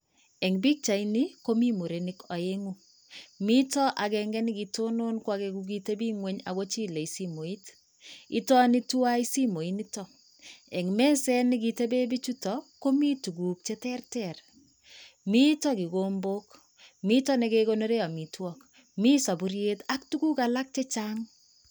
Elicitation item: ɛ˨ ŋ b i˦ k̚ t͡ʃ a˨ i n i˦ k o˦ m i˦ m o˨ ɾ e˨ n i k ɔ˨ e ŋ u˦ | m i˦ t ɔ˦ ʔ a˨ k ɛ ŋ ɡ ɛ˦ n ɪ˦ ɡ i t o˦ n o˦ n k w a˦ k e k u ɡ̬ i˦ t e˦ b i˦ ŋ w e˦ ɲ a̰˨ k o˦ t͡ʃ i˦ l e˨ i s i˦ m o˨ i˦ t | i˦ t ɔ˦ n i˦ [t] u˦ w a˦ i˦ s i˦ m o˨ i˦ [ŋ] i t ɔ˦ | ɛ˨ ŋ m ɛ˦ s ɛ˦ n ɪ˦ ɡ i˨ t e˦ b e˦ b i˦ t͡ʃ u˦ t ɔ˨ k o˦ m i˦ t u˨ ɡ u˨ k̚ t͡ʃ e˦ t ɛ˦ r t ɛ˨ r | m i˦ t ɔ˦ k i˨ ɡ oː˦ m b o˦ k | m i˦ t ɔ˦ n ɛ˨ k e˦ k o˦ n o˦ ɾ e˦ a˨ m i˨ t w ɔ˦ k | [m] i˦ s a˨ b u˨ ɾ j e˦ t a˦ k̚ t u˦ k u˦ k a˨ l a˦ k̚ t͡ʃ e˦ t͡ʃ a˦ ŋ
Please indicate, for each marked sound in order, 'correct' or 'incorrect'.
correct, incorrect: n, correct

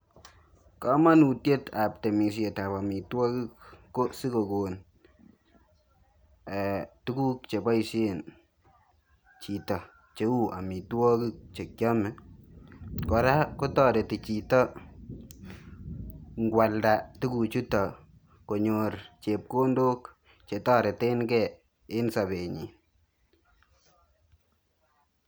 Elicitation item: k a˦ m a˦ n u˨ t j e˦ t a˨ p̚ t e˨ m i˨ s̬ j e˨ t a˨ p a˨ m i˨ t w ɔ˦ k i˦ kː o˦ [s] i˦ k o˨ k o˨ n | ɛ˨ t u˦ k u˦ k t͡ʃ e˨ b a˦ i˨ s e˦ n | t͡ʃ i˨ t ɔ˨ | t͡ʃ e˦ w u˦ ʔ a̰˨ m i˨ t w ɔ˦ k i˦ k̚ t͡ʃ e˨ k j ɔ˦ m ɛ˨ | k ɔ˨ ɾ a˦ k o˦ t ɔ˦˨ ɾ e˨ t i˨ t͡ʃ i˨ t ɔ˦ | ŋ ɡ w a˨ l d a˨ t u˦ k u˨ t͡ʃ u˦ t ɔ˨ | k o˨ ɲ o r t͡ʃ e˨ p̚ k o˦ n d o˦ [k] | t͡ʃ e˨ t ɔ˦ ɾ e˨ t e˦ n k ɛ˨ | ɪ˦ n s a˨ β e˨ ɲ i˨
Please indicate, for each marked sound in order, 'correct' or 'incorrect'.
correct, correct

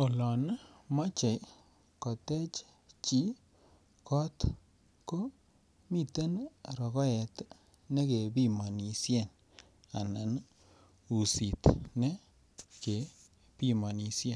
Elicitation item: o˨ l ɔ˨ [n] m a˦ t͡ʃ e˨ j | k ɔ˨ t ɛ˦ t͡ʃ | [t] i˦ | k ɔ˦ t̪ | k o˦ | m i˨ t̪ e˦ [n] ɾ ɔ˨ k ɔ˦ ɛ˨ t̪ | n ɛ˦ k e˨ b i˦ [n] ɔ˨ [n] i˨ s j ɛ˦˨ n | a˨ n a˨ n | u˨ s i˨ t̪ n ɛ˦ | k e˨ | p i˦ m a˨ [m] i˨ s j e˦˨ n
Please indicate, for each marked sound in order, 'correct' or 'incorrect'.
correct, incorrect: t͡ʃ, correct, incorrect: m, correct, incorrect: n

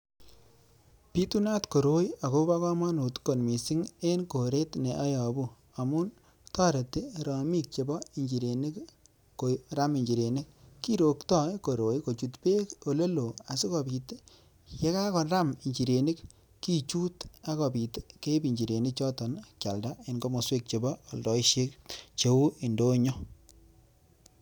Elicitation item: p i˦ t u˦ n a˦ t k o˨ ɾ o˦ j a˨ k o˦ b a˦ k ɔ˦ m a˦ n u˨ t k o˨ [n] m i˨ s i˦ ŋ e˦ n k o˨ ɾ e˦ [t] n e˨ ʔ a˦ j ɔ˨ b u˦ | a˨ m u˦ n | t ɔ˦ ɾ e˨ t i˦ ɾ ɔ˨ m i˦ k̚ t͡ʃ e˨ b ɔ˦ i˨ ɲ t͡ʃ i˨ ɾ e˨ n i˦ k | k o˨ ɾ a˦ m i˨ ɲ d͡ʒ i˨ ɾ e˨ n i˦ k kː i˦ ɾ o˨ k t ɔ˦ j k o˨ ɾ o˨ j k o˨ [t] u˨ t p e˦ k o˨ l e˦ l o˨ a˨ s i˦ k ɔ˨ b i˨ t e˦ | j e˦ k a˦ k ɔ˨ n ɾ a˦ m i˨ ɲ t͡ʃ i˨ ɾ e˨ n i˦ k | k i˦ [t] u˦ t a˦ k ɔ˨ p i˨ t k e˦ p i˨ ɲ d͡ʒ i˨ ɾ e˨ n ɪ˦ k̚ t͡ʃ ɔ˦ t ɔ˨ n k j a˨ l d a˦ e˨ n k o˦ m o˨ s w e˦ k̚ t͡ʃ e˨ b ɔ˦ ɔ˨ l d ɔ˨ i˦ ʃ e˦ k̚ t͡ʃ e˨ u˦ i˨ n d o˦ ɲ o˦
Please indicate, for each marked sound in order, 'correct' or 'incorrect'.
correct, correct, incorrect: t͡ʃ, incorrect: t͡ʃ

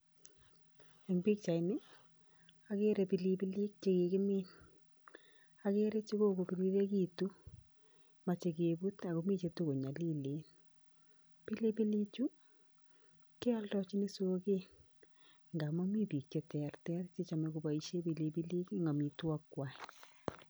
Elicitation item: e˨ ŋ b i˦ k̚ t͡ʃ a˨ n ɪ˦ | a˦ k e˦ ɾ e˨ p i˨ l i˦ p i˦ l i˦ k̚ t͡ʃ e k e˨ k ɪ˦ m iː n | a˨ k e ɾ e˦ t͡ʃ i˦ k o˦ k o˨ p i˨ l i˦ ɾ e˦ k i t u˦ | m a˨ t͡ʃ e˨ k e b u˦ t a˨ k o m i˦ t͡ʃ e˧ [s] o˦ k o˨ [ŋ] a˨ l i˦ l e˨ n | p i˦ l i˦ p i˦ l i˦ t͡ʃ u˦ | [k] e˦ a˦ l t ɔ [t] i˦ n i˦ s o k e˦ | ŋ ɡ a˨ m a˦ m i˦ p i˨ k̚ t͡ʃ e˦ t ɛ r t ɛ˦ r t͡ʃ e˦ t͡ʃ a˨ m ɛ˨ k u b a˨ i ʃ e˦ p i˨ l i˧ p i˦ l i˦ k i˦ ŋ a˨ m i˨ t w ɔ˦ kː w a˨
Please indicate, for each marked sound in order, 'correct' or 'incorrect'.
incorrect: t, incorrect: ɲ, correct, incorrect: t͡ʃ

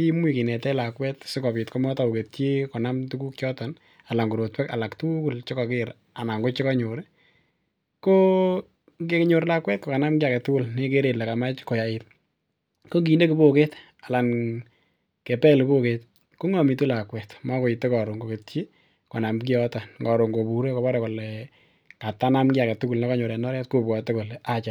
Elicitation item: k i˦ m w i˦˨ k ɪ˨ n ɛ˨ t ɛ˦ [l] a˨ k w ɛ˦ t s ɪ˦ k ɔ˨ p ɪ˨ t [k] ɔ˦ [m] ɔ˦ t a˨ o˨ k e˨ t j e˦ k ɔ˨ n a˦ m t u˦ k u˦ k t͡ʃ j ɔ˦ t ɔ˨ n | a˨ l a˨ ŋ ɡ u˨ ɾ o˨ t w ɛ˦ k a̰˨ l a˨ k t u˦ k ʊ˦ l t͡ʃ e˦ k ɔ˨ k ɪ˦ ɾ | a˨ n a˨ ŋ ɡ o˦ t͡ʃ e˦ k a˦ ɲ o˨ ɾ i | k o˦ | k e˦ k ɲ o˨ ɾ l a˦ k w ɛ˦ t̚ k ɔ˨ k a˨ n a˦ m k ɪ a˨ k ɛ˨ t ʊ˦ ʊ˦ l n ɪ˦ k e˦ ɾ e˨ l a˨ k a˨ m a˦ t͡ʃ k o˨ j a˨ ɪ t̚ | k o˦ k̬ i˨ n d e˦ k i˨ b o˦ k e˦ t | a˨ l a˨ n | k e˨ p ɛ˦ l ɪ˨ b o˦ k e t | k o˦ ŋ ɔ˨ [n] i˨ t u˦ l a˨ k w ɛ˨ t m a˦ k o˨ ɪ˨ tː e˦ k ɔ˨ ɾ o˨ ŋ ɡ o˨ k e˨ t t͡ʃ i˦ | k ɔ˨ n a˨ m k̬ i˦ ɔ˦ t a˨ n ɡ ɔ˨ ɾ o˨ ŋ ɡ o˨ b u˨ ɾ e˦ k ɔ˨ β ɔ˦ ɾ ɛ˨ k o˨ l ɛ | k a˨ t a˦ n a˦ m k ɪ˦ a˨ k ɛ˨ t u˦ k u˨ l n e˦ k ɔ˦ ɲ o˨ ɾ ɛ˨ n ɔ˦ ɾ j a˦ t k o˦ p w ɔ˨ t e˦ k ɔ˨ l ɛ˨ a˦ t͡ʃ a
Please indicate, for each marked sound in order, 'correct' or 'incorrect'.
correct, correct, correct, incorrect: m

